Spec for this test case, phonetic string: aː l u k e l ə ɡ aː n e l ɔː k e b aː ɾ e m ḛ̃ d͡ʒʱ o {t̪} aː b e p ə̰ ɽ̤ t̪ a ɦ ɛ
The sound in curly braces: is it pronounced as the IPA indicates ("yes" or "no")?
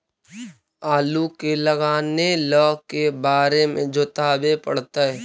yes